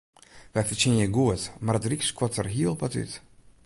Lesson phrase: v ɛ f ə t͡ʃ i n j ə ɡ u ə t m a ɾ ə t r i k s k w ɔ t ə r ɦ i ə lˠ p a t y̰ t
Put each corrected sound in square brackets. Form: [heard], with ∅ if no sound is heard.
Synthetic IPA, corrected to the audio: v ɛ f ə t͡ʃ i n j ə ɡ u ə t m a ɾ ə t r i k s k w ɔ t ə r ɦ i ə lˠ p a t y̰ t

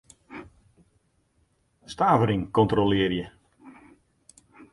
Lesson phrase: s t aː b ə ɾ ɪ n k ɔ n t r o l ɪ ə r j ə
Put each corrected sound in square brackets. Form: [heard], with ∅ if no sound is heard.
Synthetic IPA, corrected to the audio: s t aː [v] ə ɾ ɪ [ŋ] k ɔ n t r o l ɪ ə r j ə

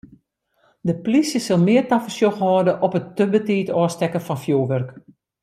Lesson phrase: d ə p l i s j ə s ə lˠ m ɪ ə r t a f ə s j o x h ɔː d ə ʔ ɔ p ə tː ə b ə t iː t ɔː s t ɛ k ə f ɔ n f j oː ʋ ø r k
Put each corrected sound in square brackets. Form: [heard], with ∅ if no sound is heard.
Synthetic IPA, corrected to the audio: d ə p l i s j ə s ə lˠ m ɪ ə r t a f ə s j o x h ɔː d ə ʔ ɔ p ə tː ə b ə t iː t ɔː s t ɛ k ə f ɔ n f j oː ʋ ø r k

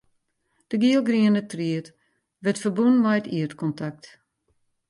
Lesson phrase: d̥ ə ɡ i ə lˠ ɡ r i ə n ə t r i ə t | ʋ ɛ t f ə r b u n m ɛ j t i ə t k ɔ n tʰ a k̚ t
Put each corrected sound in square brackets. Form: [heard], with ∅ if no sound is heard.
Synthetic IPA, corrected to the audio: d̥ ə ɡ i ə lˠ ɡ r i ə n ə t r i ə t | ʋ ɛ t f ə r b u n m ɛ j t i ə t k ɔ n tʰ a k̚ t

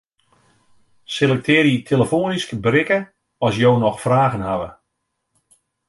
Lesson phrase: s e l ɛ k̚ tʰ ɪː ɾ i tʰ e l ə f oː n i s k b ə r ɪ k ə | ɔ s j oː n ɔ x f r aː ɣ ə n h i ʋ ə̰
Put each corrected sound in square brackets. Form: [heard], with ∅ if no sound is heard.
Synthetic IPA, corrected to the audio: s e l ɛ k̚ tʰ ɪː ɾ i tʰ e l ə f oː n i s k b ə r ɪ k ə | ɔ s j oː n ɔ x f r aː ɣ ə n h [a] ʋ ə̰

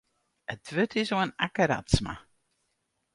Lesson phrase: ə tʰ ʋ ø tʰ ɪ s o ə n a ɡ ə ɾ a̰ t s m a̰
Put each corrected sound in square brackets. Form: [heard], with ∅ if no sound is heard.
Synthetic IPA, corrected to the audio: ə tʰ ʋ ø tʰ ɪ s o ə n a [k] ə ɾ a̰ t s m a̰

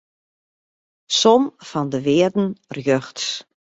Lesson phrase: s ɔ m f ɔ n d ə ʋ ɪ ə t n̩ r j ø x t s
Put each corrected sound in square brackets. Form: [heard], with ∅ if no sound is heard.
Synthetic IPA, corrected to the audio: s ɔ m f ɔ n d ə ʋ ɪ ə [d] n̩ r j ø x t s

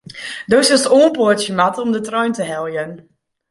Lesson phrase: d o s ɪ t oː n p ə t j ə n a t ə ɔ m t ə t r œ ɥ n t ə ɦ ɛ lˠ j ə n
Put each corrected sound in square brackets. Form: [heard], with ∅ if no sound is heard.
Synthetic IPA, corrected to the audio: d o s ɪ [s] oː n p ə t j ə [m] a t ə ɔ m [d] ə t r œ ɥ n t ə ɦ ɛ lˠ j ə n

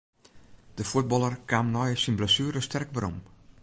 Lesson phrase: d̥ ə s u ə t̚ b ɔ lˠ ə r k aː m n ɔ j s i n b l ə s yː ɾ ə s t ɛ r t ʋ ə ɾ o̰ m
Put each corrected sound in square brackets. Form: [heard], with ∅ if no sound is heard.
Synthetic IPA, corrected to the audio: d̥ ə [f] u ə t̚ b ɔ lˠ ə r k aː m n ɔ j s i n b l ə s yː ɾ ə s t ɛ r [k] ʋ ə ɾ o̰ m

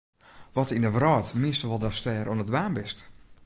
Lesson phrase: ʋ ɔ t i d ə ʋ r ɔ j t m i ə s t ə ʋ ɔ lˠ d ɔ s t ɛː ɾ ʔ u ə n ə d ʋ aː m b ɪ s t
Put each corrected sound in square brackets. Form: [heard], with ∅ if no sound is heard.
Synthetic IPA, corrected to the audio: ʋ ɔ t i [n] ə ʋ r ɔ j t m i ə s t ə ʋ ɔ lˠ d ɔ s t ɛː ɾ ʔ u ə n ə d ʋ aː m b ɪ s t

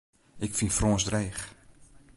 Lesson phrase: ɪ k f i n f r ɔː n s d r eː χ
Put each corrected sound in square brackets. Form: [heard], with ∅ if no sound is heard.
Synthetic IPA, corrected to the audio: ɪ k f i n f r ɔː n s d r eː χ

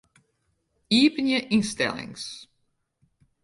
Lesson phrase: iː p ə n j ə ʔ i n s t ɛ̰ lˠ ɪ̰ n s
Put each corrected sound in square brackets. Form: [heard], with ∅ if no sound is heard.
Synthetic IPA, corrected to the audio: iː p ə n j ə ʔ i n s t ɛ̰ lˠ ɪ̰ [ŋ] s

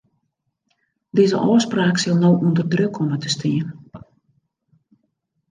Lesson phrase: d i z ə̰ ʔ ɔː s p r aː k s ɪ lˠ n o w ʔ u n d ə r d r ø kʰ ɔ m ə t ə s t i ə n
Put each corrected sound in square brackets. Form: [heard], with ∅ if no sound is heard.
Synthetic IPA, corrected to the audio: d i z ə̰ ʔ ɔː s p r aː k s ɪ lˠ n o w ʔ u n d ə r d r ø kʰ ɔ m ə t ə s t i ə n

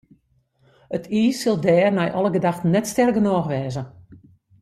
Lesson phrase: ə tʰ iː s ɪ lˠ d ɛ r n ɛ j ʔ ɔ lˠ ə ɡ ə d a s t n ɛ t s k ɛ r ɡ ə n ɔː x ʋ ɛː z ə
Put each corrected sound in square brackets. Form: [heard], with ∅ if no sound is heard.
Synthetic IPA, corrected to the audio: ə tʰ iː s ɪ lˠ d [ɛː] r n ɛ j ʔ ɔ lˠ ə ɡ ə d a [x] t n ɛ t s [t] ɛ r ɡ ə n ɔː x ʋ ɛː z ə

